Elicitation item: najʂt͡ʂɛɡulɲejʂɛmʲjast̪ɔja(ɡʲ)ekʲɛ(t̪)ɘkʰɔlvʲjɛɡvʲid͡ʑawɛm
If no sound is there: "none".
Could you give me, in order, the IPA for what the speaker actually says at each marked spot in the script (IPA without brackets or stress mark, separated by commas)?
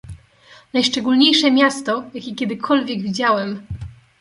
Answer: kʲ, d̪